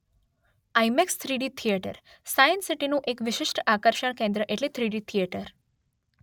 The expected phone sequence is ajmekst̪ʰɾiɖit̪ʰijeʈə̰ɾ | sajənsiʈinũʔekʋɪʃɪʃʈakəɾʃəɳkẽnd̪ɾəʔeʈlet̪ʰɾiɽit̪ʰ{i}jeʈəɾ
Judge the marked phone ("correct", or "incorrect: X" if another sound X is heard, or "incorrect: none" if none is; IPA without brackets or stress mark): correct